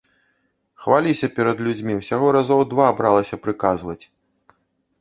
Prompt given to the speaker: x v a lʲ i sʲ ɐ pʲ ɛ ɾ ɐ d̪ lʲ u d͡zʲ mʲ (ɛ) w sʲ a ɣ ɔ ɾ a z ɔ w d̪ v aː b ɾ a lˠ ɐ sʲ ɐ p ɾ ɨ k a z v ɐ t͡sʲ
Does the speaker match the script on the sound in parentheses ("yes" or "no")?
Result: no